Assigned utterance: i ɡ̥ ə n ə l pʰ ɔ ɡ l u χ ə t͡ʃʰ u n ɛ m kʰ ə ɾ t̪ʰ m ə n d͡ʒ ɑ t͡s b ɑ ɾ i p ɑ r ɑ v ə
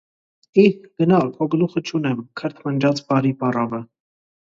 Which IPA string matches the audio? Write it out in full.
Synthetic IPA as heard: i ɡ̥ ə n ɑ l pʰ ɔ ɡ l u χ ə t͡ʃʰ u n ɛ m kʰ ə ɾ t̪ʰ m ə n d͡ʒ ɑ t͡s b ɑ ɾ i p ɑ r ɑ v ə